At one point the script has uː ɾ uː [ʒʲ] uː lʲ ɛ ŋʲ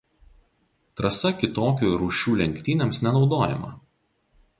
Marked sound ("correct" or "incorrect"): incorrect